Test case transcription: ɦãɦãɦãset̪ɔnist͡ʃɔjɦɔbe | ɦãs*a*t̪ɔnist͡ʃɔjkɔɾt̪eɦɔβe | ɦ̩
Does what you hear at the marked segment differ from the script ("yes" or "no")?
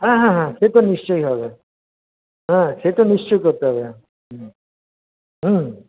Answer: yes